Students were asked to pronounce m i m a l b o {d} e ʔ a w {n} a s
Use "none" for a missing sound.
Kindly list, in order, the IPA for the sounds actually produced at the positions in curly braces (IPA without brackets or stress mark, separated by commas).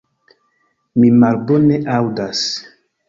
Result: n, d